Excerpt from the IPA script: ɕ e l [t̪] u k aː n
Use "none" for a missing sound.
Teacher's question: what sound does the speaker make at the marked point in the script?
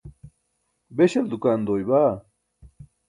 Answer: d̪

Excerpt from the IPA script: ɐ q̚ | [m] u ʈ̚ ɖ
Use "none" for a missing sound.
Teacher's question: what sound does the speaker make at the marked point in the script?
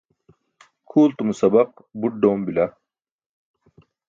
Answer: b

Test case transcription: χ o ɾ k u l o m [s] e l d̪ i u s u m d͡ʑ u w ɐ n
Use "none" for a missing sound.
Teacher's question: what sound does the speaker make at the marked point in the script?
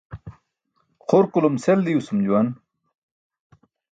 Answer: s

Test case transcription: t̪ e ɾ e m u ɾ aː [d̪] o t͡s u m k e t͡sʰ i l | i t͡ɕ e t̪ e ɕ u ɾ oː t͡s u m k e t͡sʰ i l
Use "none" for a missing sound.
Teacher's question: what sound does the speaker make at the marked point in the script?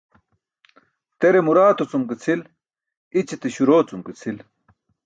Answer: t̪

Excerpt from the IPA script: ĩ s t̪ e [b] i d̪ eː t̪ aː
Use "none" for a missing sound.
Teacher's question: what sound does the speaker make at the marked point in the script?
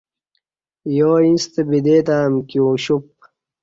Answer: b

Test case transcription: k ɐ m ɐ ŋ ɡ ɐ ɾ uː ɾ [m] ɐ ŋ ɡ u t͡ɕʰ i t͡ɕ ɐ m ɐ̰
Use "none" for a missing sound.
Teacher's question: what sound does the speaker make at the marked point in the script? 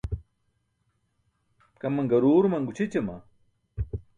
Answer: m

